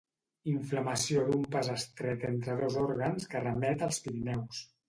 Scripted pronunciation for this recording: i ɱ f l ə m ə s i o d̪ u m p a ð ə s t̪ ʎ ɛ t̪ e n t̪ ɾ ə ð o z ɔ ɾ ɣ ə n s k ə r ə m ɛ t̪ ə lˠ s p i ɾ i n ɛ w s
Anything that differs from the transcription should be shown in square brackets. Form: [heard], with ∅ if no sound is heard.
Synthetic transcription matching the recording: i ɱ f l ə m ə s i o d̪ u m p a [z] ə s t̪ [ɾ] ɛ t̪ e n t̪ ɾ ə ð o z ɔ ɾ ɣ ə n s k ə r ə m ɛ t̪ ə lˠ s p i ɾ i n ɛ w s